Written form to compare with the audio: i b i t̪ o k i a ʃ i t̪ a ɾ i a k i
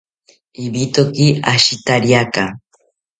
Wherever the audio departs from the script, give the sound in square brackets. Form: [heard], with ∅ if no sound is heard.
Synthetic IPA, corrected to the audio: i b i t̪ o k i a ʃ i t̪ a ɾ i a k [a]